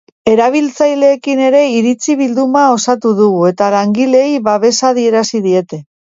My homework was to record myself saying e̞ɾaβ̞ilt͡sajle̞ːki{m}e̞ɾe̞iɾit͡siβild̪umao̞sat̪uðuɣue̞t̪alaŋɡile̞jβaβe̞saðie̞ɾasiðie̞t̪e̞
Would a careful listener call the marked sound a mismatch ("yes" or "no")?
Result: yes